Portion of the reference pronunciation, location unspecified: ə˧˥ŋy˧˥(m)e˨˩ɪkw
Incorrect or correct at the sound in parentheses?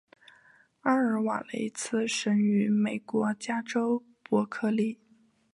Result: correct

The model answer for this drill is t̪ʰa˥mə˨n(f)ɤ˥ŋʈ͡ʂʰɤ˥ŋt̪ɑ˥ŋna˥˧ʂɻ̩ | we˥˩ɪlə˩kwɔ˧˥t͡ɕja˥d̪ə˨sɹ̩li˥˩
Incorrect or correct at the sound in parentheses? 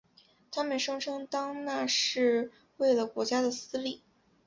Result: incorrect: ʂ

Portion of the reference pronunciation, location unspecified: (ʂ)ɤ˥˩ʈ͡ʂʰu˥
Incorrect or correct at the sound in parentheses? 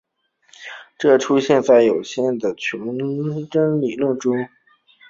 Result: incorrect: ʈ͡ʂ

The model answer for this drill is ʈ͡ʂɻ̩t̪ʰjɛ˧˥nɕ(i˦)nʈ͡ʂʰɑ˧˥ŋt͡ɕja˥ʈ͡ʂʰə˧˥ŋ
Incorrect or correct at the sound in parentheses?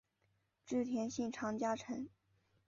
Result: incorrect: i˥˩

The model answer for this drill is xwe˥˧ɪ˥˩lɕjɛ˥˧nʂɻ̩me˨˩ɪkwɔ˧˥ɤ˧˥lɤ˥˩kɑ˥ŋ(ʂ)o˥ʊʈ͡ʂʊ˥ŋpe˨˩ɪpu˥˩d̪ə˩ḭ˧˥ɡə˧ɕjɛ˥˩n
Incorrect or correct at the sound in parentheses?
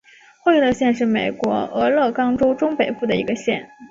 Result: incorrect: ʈ͡ʂ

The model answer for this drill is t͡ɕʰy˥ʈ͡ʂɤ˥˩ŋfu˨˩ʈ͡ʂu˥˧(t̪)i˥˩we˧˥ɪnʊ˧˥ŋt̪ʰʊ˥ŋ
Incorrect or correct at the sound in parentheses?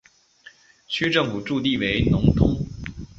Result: correct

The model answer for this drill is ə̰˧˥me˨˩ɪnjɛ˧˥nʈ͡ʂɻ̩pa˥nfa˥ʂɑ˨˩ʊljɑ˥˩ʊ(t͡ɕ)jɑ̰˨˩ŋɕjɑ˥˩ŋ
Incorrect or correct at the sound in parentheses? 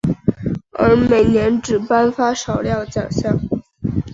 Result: correct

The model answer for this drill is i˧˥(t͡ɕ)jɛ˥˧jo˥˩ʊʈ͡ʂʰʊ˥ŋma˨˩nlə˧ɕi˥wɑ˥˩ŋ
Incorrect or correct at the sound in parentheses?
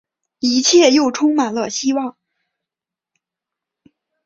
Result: incorrect: t͡ɕʰ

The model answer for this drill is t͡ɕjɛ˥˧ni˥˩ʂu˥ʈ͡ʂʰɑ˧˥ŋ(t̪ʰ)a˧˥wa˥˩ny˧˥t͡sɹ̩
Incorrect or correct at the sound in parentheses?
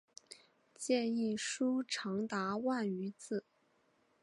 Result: incorrect: t̪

